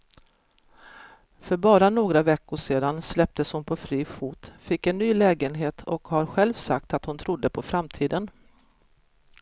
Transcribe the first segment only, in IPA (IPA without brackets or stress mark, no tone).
f